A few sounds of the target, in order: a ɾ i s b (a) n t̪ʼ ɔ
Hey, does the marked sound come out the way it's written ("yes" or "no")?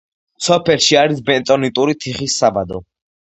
no